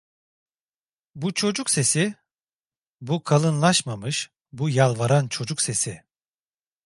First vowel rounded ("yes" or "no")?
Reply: yes